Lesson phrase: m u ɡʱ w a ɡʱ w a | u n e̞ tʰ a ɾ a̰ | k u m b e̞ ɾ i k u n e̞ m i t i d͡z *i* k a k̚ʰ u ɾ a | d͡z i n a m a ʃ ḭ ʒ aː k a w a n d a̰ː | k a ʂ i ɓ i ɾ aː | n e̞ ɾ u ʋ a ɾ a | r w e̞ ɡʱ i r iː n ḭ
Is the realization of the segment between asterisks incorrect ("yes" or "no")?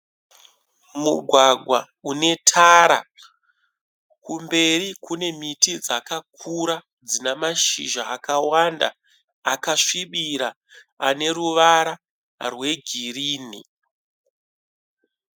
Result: yes